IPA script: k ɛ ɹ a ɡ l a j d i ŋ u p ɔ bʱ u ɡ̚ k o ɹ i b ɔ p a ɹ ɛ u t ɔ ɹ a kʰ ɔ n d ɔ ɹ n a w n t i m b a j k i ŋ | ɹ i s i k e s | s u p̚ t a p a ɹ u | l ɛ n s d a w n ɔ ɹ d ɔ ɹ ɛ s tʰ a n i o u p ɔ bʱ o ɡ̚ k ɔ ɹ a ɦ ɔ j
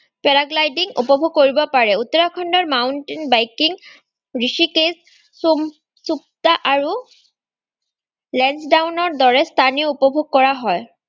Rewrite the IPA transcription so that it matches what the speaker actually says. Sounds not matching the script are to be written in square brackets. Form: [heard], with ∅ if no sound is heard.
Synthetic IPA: [p] ɛ ɹ a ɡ l a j d i ŋ u p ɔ bʱ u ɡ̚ k o ɹ i b ɔ p a ɹ ɛ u t ɔ ɹ a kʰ ɔ n d ɔ ɹ [m] a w n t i [n] b a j k i ŋ | ɹ i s i k e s | s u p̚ t a [ʔ] a ɹ u | l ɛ n s d a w n ɔ ɹ d ɔ ɹ ɛ s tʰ a n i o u p ɔ bʱ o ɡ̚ k ɔ ɹ a ɦ ɔ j

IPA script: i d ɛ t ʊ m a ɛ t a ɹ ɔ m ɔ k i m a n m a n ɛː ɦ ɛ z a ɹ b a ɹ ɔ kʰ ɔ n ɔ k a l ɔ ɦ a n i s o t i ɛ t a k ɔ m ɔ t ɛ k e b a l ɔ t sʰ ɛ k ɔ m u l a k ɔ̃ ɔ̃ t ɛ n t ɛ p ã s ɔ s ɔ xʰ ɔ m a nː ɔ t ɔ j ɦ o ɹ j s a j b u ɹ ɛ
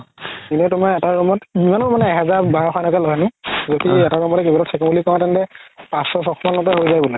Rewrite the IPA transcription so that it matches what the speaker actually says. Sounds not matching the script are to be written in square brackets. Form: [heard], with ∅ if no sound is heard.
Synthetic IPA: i [n] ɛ t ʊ m a ɛ t a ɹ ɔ m ɔ [t] i m a n m a n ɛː ɦ ɛ z a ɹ b a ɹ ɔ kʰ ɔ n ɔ k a l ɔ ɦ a n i [z] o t i ɛ t a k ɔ m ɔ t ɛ k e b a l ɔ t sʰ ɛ k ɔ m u l [i] k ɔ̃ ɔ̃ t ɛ n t ɛ p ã s ɔ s ɔ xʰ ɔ m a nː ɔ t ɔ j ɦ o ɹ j [z] a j b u [l] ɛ

